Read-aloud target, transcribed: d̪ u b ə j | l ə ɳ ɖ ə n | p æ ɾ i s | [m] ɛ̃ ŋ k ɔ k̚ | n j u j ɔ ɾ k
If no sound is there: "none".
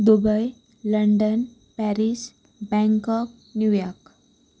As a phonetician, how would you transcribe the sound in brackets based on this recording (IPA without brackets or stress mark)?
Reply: b